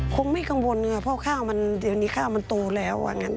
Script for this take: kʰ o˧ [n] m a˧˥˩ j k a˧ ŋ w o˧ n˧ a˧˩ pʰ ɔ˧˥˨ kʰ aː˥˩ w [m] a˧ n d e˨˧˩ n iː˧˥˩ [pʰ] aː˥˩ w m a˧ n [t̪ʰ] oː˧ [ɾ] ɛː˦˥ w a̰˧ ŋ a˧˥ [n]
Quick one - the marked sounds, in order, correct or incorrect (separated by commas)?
incorrect, correct, incorrect, incorrect, incorrect, correct